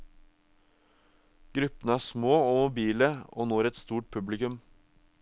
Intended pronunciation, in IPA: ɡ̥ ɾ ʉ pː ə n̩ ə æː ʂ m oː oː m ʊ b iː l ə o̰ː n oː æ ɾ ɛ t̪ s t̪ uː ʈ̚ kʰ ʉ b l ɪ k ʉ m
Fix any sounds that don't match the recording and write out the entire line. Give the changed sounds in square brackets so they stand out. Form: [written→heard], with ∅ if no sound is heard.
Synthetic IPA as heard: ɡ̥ ɾ ʉ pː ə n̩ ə æː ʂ m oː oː m ʊ b iː l ə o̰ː n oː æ ɾ ɛ t̪ s t̪ uː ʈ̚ [kʰ→pʰ] ʉ b l ɪ k ʉ m

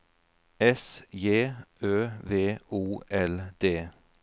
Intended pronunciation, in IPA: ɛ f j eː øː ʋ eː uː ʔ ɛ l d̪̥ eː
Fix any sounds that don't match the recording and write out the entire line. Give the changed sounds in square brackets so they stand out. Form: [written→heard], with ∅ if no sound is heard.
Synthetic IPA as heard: ɛ [f→s] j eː øː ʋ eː uː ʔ ɛ l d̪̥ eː

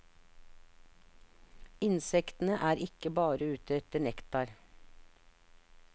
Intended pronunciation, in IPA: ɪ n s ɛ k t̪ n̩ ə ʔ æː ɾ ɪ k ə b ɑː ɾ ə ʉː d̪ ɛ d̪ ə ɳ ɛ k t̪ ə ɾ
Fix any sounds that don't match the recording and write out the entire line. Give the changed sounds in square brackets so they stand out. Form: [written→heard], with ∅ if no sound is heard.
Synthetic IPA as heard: ɪ n s ɛ k t̪ n̩ ə ʔ æː ɾ ɪ k ə b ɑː ɾ ə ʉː [d̪→t̪] ɛ [d̪→t̪] ə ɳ ɛ k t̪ [ə→ɑ] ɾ

